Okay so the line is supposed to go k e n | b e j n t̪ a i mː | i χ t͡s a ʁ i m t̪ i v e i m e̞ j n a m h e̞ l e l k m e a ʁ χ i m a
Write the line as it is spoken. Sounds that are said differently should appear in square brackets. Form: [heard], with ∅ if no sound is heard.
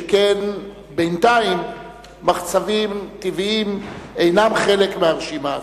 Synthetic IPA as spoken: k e n | b e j n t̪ a i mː | [a] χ t͡s a [v] i m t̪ i v [i] i m e̞ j n a m [χ] e̞ l e [∅] k m e a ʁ [ʃ] i m a